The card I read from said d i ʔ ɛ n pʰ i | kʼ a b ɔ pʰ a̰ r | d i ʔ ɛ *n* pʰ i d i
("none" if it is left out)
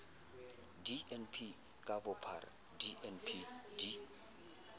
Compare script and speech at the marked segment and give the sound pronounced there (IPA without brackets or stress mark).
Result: n